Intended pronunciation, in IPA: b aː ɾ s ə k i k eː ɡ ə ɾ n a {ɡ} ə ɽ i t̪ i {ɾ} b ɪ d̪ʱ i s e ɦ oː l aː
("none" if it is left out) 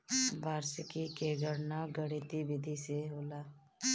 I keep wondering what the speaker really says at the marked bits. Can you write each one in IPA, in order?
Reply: ɡ, none

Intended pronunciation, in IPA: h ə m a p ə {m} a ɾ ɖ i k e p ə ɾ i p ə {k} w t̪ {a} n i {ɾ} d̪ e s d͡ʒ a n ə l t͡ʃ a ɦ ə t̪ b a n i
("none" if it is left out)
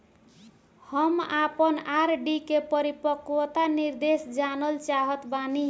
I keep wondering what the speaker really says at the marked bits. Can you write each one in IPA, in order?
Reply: n, k, a, ɾ

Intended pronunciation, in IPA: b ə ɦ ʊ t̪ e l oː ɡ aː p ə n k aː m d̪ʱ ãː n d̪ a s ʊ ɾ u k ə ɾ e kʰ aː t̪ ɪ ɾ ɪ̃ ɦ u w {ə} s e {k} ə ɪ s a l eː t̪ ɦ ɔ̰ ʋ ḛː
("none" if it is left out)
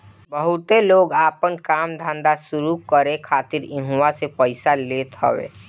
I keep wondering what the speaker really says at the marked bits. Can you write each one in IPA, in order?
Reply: a, p

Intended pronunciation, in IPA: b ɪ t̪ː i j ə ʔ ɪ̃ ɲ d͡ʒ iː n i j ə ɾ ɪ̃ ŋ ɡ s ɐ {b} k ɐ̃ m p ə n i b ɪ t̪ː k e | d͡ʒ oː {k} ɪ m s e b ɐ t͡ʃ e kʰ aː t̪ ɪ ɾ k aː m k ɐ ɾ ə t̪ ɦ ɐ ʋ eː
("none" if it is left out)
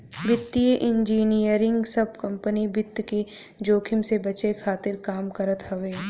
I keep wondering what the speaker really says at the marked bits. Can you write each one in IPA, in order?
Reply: b, kʰ

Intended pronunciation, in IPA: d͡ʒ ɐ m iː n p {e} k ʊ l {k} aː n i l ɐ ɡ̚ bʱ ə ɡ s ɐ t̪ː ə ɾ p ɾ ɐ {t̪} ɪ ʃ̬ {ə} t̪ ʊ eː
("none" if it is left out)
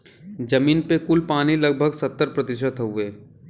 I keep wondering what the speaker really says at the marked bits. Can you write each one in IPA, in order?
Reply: e, p, t̪, ə

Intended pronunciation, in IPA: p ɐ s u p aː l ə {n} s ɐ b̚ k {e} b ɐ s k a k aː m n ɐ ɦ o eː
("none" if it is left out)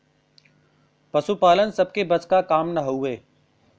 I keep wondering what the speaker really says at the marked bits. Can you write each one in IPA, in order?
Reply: n, e

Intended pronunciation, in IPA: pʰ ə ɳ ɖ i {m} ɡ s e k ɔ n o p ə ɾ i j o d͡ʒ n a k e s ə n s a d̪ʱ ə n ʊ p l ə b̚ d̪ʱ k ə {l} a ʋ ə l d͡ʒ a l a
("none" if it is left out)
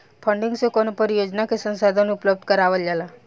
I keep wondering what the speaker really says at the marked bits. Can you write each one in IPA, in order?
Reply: ŋ, ɾ

